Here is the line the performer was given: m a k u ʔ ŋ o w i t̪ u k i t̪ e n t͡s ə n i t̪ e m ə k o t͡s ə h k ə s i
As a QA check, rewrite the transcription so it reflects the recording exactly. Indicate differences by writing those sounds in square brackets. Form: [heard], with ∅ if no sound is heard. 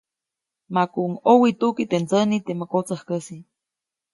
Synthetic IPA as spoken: m a k u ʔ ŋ o w i t̪ u k i t̪ e n t͡s ə n i t̪ e m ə k o t͡s ə h k ə s i